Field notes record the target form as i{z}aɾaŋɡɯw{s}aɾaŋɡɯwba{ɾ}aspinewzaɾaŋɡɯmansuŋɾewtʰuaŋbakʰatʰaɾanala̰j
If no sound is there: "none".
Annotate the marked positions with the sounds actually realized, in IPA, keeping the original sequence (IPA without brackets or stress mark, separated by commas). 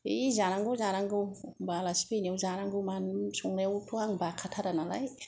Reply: z, z, l